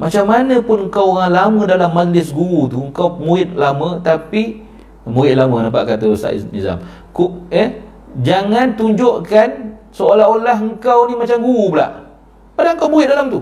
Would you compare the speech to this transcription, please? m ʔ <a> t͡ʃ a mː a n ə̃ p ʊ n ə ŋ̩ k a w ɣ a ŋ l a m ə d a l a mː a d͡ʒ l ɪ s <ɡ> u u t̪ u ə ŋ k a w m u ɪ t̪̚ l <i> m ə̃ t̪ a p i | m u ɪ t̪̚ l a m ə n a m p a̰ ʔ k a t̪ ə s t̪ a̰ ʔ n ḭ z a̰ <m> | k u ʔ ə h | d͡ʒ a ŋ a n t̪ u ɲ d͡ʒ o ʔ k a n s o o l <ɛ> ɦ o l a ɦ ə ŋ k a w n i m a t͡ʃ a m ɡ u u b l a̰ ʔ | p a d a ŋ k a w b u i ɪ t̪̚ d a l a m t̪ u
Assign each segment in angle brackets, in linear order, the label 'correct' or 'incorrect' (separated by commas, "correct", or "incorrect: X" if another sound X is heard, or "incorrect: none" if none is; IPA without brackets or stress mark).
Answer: correct, correct, incorrect: a, correct, incorrect: a